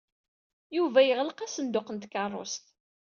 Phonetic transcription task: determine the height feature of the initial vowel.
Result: high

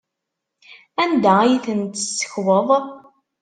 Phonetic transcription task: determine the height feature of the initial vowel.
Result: low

